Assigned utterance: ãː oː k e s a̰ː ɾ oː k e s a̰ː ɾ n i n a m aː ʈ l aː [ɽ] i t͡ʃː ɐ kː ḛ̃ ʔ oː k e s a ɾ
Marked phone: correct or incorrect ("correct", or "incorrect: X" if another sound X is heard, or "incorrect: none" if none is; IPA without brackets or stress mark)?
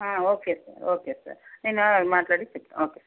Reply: correct